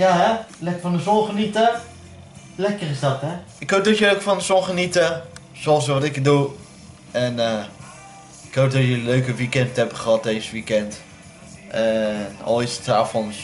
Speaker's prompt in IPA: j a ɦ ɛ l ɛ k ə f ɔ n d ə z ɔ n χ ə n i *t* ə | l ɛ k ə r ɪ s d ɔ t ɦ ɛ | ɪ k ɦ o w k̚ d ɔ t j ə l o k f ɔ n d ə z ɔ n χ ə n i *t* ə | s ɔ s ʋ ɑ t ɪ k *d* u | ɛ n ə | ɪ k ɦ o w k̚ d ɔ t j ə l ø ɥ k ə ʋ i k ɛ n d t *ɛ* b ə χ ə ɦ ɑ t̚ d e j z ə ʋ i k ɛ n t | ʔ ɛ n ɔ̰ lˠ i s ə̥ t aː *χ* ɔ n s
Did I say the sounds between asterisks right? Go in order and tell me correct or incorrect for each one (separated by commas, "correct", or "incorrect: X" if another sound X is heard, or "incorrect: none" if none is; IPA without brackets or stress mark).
correct, correct, correct, correct, incorrect: f